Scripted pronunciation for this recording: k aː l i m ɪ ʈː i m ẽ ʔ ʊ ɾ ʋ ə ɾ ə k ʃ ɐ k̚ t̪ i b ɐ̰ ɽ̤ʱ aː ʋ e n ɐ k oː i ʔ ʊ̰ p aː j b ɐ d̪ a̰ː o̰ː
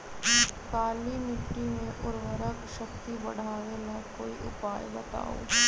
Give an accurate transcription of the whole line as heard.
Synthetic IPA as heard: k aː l i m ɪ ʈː i m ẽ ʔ ʊ ɾ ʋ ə ɾ ə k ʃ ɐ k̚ t̪ i b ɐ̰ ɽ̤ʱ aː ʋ e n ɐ k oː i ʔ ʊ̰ p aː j b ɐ t̪ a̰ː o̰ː